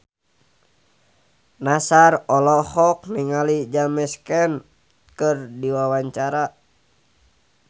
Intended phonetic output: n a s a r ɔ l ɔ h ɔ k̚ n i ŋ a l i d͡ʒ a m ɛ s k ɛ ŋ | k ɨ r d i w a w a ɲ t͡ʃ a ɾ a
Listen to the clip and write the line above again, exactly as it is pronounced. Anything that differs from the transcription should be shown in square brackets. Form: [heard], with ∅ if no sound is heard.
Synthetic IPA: n a s a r ɔ l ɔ h ɔ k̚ n i ŋ a l i d͡ʒ a m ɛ s k ɛ [n] | k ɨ r d i w a w a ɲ t͡ʃ a ɾ a